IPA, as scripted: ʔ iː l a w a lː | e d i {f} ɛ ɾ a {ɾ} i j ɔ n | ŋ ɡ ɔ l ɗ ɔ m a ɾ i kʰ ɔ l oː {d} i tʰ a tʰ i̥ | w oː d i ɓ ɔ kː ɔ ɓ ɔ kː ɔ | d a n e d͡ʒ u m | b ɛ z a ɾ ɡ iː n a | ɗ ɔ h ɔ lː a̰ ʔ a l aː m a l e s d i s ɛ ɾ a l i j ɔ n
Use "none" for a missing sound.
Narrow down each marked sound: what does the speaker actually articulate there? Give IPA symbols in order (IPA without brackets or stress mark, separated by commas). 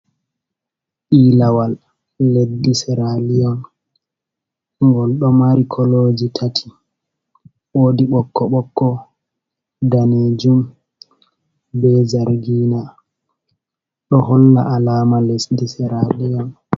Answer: s, l, d͡ʒ